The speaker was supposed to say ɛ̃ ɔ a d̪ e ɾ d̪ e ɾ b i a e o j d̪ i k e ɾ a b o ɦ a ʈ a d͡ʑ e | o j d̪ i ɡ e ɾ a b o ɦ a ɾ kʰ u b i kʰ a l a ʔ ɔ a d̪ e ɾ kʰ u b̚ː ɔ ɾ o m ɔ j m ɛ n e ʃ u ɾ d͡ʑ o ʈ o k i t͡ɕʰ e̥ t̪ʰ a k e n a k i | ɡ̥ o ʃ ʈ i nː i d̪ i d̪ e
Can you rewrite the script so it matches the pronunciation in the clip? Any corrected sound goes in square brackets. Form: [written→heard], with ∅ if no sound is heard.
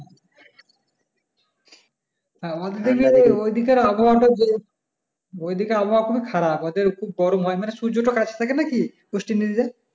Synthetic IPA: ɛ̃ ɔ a d̪ e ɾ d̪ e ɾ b i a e o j d̪ i k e ɾ a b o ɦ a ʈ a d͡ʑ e | o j d̪ i [ɡ→k] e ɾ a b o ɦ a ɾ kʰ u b i kʰ a [l→ɾ] a [ʔ→p] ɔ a d̪ e ɾ kʰ u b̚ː ɔ ɾ o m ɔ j m [ɛ→a] n e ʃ u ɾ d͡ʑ o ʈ o k [i→a] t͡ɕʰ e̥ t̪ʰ a k e n a k i | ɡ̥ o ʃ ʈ i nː i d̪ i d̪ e

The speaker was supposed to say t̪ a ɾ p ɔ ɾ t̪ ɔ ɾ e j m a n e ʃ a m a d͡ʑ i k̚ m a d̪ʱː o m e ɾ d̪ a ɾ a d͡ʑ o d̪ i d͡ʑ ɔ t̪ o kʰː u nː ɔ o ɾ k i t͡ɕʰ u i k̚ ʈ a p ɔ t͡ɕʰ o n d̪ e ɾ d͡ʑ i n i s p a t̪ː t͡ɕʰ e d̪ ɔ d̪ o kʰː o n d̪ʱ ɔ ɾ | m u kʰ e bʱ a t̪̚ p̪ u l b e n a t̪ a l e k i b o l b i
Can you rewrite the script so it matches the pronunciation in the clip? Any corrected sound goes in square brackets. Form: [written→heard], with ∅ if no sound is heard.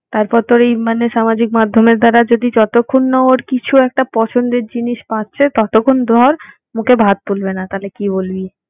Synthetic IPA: t̪ a ɾ p ɔ ɾ t̪ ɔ ɾ e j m a n e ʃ a m a d͡ʑ i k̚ m a d̪ʱː o m e ɾ d̪ a ɾ a d͡ʑ o d̪ i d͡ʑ ɔ t̪ o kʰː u nː ɔ o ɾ k i t͡ɕʰ u [i→ɛ] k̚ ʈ a p ɔ t͡ɕʰ o n d̪ e ɾ d͡ʑ i n i [s→ʃ] p a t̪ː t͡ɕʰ e [d̪→t̪] ɔ [d̪→t̪] o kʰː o n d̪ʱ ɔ ɾ | m u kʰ e bʱ a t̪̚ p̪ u l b e n a t̪ a l e k i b o l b i

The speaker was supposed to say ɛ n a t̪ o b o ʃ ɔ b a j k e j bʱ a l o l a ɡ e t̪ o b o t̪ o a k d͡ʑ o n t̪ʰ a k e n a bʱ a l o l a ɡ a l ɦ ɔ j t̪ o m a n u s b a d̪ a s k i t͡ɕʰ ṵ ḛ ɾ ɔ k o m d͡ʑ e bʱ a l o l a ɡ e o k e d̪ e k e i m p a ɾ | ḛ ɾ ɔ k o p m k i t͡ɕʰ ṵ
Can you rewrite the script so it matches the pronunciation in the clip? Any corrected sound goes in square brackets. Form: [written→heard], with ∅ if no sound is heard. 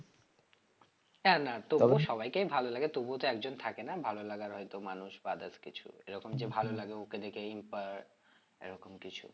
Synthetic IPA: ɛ n a t̪ o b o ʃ ɔ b a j k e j bʱ a l o l a ɡ e t̪ o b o t̪ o [a→ɛ] k d͡ʑ o n t̪ʰ a k e n a bʱ a l o l a ɡ a [l→ɾ] ɦ ɔ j t̪ o m a n u [s→ʃ] b a d̪ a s k i t͡ɕʰ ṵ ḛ ɾ ɔ k o m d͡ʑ e bʱ a l o l a ɡ e o k e d̪ e k e i m p a ɾ | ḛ ɾ ɔ k o [p→∅] m k i t͡ɕʰ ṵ

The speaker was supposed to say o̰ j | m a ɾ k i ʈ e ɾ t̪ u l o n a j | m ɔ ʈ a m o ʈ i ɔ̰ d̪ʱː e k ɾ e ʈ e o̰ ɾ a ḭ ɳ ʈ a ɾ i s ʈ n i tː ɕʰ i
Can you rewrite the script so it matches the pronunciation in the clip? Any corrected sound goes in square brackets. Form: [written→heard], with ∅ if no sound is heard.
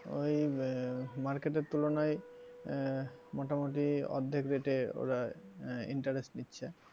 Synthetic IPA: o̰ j | m a ɾ k [i→e] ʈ e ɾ t̪ u l o n a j | m ɔ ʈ a m o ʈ i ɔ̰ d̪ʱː e k ɾ e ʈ e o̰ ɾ a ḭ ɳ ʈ a ɾ [i→e] s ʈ n i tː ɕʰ [i→e]

